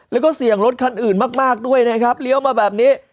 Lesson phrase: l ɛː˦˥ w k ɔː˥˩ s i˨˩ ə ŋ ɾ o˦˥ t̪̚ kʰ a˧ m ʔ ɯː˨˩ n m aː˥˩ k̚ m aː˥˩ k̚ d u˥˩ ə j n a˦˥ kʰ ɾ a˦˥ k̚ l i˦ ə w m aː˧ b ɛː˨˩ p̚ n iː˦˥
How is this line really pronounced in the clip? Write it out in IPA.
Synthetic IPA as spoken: l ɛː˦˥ w k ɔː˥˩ s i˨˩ ə ŋ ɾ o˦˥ t̪̚ kʰ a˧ n ʔ ɯː˨˩ n m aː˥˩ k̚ m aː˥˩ k̚ d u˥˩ ə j n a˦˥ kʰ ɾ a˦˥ p̚ l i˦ ə w m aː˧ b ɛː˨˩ p̚ n iː˦˥